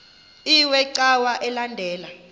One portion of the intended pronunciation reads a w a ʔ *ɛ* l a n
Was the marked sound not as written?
no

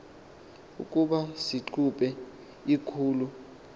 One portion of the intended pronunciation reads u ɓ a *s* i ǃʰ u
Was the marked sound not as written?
no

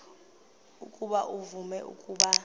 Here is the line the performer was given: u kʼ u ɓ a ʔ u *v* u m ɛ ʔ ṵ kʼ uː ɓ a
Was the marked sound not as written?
no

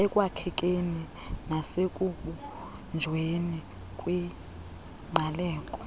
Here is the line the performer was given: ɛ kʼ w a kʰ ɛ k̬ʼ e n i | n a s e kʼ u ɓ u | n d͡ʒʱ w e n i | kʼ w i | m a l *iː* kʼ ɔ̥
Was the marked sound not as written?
yes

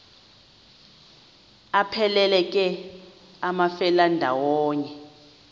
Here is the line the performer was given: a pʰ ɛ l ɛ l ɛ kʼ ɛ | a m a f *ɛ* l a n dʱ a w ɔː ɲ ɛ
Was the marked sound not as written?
no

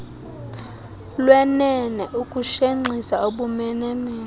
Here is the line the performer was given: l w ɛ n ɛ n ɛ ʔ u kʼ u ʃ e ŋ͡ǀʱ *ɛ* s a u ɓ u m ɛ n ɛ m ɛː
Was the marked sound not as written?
yes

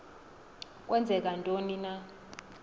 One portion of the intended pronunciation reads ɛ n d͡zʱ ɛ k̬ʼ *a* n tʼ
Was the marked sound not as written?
no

